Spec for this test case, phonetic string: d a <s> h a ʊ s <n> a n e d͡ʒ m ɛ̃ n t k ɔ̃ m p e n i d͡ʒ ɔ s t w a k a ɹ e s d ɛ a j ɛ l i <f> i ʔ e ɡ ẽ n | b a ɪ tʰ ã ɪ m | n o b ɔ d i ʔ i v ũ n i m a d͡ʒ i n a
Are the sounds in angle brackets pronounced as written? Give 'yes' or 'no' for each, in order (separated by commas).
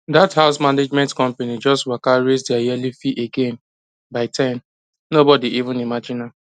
no, no, yes